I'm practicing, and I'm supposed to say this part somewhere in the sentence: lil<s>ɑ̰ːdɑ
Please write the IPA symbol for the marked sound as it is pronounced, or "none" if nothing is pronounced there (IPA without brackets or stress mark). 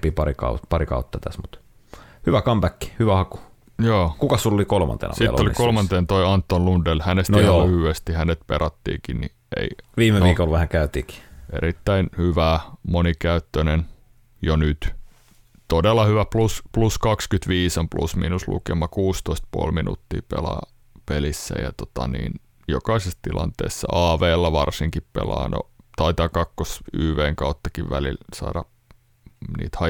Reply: s